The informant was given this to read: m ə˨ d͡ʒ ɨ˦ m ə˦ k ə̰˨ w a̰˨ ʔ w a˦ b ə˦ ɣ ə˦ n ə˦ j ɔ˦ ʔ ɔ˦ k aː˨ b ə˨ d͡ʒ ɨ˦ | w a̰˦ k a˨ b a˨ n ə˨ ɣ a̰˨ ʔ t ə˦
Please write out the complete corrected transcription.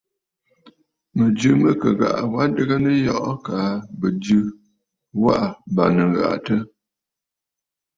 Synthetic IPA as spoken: m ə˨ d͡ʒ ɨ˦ m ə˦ k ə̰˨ ɣ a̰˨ ʔ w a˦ d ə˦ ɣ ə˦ n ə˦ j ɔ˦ ʔ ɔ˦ k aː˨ b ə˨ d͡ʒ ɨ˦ | w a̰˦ ʔ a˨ b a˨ n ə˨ ɣ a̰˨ ʔ t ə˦